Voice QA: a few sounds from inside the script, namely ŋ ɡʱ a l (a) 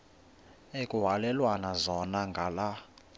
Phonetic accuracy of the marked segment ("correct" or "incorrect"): correct